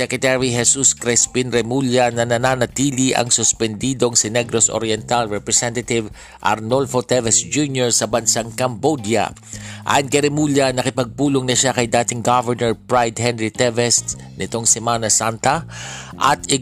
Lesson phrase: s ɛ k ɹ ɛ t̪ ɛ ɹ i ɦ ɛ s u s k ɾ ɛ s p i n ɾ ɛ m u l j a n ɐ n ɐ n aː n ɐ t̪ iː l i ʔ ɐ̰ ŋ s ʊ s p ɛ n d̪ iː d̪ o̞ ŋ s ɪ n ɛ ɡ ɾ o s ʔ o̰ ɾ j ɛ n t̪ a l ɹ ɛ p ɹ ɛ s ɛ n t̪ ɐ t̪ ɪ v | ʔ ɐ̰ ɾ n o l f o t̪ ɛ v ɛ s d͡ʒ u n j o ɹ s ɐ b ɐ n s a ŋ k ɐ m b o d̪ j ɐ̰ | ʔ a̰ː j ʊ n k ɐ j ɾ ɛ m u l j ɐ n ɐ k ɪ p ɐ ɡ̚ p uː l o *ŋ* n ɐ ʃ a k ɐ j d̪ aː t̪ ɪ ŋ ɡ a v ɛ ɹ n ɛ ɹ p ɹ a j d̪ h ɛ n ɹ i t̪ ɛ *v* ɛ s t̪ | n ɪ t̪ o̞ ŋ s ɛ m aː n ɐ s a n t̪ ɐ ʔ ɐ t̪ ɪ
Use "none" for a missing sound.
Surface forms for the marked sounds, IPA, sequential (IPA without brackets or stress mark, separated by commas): ŋ, v